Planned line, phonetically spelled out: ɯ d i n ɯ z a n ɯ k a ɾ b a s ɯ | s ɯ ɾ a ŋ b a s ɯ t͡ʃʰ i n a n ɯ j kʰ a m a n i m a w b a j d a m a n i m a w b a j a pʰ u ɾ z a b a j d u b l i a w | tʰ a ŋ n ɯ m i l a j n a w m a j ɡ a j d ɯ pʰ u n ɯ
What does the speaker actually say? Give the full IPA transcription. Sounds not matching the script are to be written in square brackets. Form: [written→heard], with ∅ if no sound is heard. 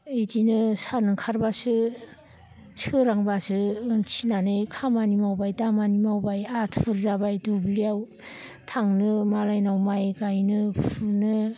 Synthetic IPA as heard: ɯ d i n ɯ [z→s] a n ɯ [k→kʰ] a ɾ b a s ɯ | s ɯ ɾ a ŋ b a s ɯ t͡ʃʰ i n a n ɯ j kʰ a m a n i m a w b a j d a m a n i m a w b a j a [pʰ→tʰ] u ɾ z a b a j d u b l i a w | tʰ a ŋ n ɯ m [i→a] l a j n a w m a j ɡ a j [d→n] ɯ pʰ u n ɯ